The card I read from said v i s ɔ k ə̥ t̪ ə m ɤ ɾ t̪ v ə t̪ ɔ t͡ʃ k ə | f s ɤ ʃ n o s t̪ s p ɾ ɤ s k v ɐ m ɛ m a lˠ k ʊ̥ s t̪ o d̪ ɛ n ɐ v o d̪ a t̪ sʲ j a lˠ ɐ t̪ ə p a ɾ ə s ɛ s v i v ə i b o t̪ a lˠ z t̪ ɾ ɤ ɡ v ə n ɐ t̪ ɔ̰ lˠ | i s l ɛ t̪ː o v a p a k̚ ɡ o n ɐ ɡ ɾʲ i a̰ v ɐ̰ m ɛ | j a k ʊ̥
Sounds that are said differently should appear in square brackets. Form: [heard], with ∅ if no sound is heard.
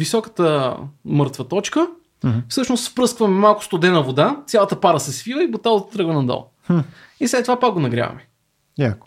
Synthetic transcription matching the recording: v i s ɔ k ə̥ t̪ ə m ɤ ɾ t̪ v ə t̪ ɔ t͡ʃ k ə | f s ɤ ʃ n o s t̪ [f] p ɾ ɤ s k v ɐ m ɛ m a lˠ k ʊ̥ s t̪ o d̪ ɛ n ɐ v o d̪ a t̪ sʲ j a lˠ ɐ t̪ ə p a ɾ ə s ɛ s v i v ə i b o t̪ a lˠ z t̪ ɾ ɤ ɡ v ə n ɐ [d̪] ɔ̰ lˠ | i s l ɛ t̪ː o v a p a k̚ ɡ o n ɐ ɡ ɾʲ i a̰ v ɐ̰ m ɛ | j a k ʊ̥